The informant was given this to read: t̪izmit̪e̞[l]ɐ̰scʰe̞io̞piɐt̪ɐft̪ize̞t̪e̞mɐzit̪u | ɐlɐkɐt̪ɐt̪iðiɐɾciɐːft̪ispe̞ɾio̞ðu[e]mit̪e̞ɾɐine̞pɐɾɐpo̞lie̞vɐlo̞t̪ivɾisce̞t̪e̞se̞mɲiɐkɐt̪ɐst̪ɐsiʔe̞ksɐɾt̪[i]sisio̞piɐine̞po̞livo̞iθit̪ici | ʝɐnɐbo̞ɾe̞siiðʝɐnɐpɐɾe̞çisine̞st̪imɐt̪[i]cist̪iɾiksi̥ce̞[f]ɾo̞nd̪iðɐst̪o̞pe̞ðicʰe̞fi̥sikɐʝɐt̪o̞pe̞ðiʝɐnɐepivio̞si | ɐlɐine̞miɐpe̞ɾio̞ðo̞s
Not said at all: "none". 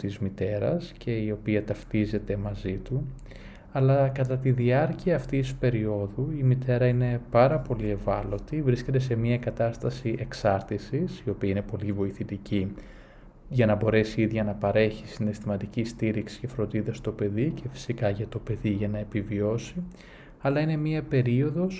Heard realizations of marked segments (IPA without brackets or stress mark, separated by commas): ɾ, i, i, i, f